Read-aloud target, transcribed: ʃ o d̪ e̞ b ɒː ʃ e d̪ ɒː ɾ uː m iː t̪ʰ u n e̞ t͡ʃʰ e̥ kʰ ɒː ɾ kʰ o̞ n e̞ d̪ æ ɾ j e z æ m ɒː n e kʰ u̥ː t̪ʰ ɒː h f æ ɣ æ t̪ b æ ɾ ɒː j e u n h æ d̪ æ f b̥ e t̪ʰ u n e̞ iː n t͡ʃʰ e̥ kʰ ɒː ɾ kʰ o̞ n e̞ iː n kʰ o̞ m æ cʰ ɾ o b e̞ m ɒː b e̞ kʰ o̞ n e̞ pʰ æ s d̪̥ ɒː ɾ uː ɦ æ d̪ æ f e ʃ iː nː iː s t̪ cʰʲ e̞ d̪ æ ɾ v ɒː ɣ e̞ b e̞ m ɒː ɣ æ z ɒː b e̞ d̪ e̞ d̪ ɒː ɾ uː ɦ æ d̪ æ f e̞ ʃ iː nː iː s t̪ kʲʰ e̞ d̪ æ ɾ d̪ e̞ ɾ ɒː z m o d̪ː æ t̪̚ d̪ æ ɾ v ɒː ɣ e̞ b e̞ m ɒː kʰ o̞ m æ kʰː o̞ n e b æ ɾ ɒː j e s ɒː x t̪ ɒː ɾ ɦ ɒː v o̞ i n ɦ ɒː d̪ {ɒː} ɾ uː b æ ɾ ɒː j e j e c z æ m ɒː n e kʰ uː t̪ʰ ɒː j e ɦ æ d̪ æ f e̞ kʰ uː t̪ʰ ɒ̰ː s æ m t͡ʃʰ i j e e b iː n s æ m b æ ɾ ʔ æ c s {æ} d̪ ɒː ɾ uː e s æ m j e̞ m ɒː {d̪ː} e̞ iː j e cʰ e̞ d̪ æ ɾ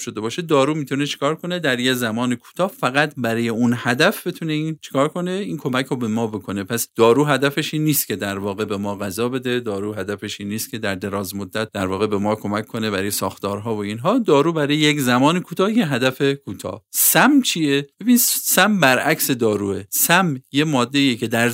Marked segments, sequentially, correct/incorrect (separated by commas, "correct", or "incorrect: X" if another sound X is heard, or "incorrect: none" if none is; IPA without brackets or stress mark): correct, incorrect: e, correct